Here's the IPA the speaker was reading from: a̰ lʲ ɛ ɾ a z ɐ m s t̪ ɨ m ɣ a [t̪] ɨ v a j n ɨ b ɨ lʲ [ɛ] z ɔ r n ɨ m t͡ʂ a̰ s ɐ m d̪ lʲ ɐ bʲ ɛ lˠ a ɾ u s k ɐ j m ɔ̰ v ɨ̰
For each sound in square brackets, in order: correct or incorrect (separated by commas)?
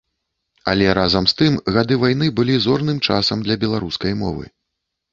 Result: incorrect, incorrect